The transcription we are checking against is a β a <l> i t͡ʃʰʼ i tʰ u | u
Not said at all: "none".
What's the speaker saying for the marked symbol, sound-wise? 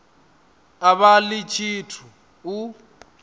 l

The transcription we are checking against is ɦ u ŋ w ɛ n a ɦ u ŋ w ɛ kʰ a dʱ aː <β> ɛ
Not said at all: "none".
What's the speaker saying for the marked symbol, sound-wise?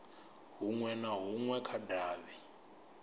β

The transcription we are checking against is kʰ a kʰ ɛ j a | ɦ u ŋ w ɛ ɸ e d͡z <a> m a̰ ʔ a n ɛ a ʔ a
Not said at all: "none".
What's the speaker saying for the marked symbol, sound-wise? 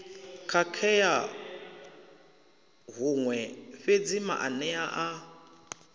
i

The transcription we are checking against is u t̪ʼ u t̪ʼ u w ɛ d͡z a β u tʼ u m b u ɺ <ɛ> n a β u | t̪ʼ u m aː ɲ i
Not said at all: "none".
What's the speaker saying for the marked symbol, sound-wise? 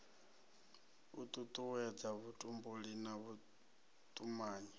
i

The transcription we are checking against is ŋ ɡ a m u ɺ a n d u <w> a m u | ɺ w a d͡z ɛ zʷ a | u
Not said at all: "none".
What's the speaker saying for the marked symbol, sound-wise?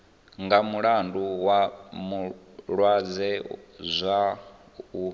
w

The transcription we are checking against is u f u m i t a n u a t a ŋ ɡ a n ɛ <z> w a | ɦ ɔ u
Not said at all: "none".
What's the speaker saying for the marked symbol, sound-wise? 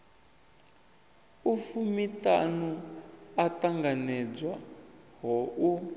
d͡z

